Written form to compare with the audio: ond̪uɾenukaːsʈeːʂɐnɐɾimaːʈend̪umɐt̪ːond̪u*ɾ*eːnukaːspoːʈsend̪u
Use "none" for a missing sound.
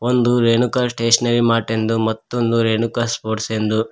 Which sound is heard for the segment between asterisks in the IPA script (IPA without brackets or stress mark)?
ɾ